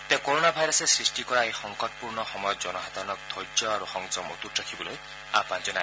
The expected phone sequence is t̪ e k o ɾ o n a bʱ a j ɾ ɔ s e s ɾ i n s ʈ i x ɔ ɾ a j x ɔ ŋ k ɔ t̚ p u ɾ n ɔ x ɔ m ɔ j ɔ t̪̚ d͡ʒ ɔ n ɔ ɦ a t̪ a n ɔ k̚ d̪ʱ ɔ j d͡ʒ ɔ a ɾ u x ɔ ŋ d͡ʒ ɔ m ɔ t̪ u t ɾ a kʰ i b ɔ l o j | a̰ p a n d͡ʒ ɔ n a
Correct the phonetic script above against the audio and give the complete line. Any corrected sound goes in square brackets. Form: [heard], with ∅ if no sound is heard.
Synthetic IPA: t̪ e k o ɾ o n a bʱ a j ɾ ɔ s e s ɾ i [∅] s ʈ i [k] ɔ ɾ a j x ɔ ŋ k ɔ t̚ p u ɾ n ɔ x ɔ m ɔ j ɔ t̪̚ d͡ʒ ɔ n ɔ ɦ a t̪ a n ɔ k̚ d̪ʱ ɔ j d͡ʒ ɔ a ɾ u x ɔ ŋ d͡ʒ ɔ m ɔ t̪ u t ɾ a kʰ i b ɔ l o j | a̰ p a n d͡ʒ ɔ n a